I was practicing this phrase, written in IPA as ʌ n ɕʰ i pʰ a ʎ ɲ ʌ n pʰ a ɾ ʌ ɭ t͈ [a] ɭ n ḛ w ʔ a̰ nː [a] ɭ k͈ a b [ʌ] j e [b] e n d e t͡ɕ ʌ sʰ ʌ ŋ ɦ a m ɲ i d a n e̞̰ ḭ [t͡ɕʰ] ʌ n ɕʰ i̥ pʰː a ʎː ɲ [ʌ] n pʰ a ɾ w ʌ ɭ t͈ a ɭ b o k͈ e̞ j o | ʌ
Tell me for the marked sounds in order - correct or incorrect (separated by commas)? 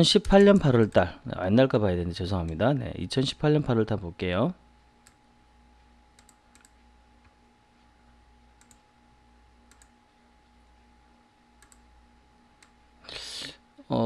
correct, correct, incorrect, incorrect, correct, correct